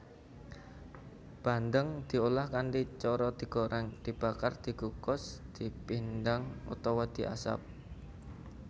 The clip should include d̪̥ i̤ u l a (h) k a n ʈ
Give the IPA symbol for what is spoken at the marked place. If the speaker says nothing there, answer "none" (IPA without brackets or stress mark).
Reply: h